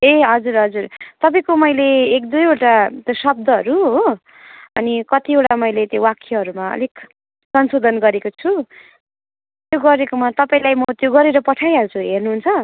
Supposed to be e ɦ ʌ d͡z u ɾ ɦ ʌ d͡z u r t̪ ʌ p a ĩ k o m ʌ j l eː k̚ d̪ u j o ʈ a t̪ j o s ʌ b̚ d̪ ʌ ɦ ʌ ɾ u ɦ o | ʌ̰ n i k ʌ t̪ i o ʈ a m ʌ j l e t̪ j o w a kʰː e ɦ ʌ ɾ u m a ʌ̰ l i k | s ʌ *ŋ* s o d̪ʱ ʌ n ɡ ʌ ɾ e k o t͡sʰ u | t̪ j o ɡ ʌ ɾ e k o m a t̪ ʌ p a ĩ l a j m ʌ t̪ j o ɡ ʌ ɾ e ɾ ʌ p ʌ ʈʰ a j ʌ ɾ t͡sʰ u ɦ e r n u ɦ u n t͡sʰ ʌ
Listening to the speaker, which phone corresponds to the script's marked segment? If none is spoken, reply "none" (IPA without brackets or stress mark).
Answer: n